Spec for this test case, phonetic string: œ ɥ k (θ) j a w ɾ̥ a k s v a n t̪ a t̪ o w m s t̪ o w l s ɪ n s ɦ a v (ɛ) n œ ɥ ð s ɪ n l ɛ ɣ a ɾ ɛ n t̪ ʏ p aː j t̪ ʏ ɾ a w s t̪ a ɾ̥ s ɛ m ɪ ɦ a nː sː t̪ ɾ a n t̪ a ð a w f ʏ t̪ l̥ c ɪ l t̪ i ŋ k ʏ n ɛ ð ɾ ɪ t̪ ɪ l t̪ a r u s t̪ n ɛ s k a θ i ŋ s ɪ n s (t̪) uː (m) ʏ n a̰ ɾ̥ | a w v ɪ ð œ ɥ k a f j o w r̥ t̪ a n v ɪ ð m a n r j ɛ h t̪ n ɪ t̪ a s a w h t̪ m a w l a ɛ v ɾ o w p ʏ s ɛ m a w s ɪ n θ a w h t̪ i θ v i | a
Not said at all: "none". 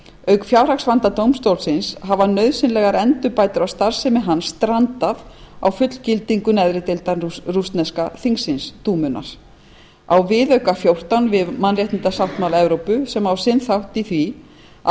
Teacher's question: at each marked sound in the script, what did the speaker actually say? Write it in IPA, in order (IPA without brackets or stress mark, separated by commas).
f, a, t̪, m